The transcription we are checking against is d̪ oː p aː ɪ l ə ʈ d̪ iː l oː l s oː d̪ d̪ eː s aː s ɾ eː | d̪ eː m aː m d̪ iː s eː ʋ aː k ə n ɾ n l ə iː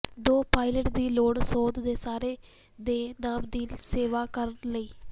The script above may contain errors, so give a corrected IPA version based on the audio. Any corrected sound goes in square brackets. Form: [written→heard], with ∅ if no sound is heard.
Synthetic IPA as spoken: d̪ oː p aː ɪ l ə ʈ d̪ iː l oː [l→ɽ] s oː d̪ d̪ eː s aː [s→∅] ɾ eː | d̪ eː [m→n] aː m d̪ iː s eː ʋ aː k ə [n→∅] ɾ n l ə iː

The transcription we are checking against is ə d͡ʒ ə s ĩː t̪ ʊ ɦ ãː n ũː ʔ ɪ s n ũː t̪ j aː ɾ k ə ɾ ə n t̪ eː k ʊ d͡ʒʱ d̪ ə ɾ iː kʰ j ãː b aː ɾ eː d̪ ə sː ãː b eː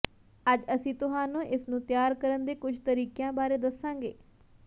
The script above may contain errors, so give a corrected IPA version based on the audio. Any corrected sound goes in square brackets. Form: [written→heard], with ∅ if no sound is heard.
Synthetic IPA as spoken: ə d͡ʒ ə s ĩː t̪ ʊ ɦ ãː n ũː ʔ ɪ s n ũː t̪ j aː ɾ k ə ɾ ə n [t̪→d̪] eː k ʊ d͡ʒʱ [d̪→t̪] ə ɾ iː [kʰ→k] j ãː b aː ɾ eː d̪ ə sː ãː [b→ɡ] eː

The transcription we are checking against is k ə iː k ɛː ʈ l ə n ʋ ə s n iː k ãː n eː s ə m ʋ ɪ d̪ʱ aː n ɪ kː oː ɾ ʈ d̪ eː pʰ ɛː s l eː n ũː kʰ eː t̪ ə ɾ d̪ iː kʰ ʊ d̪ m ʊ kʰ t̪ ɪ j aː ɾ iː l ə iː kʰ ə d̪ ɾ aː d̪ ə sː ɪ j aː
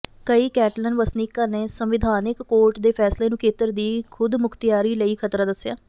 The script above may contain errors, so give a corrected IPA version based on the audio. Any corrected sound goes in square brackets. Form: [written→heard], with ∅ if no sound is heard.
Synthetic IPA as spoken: k ə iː k ɛː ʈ l ə n ʋ ə s n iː k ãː n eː s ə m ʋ ɪ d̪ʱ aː n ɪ kː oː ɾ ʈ d̪ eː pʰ ɛː s l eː n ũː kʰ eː t̪ ə ɾ d̪ iː kʰ ʊ d̪ m ʊ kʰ t̪ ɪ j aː ɾ iː l ə iː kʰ ə [d̪→t̪] ɾ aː d̪ ə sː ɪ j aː

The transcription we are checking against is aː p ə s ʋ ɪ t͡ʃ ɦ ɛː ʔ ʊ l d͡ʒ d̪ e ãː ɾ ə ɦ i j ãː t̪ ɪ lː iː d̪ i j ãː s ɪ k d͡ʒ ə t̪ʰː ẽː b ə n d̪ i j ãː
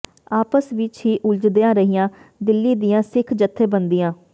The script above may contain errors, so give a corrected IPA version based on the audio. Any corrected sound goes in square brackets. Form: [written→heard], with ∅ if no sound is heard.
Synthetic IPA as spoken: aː p ə s ʋ ɪ t͡ʃ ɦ [ɛː→iː] ʔ ʊ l d͡ʒ d̪ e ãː ɾ ə ɦ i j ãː [t̪→d̪] ɪ lː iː d̪ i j ãː s ɪ [k→kʰ] d͡ʒ ə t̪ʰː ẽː b ə n d̪ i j ãː

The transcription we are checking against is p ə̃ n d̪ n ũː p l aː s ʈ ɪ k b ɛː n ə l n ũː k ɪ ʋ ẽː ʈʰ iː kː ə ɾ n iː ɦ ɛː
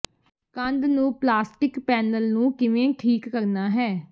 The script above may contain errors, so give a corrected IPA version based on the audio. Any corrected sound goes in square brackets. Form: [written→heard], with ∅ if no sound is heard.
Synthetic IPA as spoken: [p→k] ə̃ n d̪ n ũː p l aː s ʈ ɪ k [b→p] ɛː n ə l n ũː k ɪ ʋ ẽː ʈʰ iː kː ə ɾ n [iː→aː] ɦ ɛː

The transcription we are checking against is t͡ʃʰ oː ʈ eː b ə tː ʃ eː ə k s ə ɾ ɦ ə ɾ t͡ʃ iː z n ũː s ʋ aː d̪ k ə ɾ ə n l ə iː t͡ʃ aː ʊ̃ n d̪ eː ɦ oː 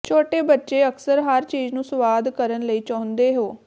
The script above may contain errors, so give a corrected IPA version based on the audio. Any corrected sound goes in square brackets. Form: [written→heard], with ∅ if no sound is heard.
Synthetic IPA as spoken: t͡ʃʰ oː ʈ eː b ə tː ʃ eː ə k s ə ɾ ɦ ə ɾ t͡ʃ iː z n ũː s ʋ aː d̪ k ə ɾ ə n l ə iː t͡ʃ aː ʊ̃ n d̪ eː ɦ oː

